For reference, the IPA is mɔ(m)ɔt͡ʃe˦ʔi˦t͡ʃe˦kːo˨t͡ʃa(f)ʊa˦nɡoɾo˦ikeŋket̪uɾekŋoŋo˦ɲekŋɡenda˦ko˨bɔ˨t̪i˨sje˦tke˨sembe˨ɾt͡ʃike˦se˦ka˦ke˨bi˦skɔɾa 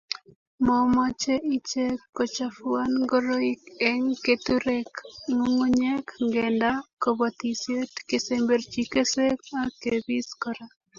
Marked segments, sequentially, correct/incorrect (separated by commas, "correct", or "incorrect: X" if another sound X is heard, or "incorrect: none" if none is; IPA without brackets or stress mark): correct, correct